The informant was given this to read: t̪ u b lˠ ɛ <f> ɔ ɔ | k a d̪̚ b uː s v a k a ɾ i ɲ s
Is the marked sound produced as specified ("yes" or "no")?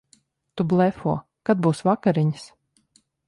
yes